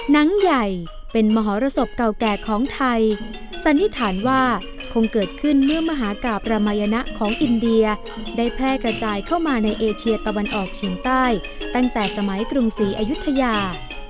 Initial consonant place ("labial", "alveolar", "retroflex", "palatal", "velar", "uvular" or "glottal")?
alveolar